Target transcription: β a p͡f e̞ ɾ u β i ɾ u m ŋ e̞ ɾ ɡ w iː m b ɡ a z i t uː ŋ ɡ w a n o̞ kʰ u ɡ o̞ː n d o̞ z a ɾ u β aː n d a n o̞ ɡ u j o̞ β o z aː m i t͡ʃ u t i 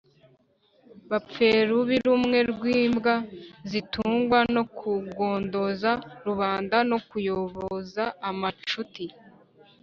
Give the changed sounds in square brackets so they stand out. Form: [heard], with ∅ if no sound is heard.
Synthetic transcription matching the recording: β a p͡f e̞ ɾ u β i ɾ u m ŋ e̞ ɾ ɡ w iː m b ɡ a z i t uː ŋ ɡ w a n o̞ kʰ u ɡ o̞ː n d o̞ z a ɾ u β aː n d a n o̞ [k] u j o̞ β o z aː m [a] t͡ʃ u t i